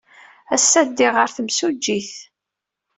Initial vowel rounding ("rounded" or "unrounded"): unrounded